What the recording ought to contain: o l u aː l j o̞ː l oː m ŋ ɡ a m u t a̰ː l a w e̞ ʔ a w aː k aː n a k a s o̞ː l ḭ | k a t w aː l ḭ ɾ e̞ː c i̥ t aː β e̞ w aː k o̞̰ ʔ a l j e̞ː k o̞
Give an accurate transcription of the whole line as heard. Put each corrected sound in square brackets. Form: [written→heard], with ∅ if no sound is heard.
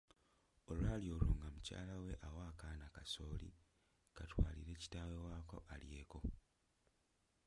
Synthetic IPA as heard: o l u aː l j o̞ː l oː [m→∅] ŋ ɡ a m u [t→c] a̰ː l a w e̞ ʔ a w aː k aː n a k a s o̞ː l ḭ | k a t w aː l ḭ ɾ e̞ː c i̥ t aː [β→w] e̞ w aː k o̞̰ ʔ a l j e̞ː k o̞